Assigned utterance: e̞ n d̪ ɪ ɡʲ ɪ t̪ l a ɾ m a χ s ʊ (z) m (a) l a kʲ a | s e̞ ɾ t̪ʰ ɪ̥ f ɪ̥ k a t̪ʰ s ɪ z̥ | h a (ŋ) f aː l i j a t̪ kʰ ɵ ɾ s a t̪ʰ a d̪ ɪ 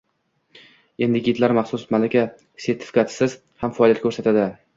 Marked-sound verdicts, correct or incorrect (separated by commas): incorrect, correct, incorrect